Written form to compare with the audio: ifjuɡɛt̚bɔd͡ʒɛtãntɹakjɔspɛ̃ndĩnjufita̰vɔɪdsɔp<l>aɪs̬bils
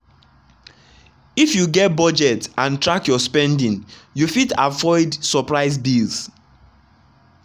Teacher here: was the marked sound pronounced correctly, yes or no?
no